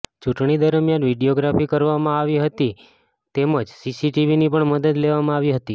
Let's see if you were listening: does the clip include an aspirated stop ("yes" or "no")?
no